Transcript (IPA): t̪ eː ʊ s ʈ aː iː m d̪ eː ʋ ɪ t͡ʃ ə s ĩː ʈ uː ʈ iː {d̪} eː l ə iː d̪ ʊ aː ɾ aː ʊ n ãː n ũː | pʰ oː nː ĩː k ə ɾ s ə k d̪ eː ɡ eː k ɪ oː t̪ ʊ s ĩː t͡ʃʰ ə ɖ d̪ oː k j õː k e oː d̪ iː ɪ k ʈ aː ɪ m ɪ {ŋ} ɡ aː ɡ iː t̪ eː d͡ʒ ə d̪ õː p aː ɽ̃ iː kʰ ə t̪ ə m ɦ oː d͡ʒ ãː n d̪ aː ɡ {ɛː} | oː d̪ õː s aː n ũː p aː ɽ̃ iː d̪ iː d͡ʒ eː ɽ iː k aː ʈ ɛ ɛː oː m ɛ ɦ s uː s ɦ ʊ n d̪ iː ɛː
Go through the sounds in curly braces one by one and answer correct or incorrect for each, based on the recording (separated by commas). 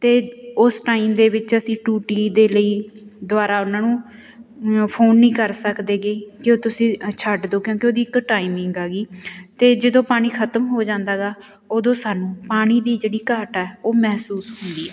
correct, correct, incorrect